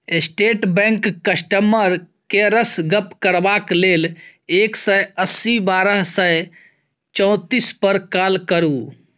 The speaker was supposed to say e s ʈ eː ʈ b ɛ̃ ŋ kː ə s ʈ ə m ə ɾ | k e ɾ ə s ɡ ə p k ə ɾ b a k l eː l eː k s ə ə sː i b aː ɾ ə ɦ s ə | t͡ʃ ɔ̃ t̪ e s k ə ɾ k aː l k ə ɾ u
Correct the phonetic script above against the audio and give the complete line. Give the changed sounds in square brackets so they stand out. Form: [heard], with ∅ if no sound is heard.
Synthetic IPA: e s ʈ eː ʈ b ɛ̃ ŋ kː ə s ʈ ə m ə ɾ | k e ɾ ə s ɡ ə p k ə ɾ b a k l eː l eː k s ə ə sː i b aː ɾ ə ɦ s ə | t͡ʃ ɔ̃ t̪ [i] s [p] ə ɾ k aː l k ə ɾ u